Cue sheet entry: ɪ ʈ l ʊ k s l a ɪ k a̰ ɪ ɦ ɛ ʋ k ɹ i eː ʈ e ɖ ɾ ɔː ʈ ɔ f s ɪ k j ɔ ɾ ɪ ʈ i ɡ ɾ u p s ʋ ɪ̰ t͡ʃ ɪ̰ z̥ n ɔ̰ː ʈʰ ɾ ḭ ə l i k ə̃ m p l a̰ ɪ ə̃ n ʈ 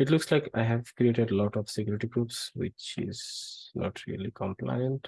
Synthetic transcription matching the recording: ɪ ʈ l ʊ k s l a ɪ k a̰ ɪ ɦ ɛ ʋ k ɾ i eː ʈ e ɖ l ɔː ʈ ɔ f s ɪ k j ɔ ɾ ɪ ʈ i ɡ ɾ u p s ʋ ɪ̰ t͡ʃ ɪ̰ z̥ n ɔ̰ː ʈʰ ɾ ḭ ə l i k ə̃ m p l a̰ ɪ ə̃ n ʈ